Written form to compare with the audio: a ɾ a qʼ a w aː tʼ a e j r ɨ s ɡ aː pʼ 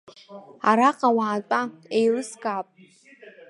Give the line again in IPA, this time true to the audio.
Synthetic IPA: a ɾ a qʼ a w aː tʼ a e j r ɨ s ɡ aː pʼ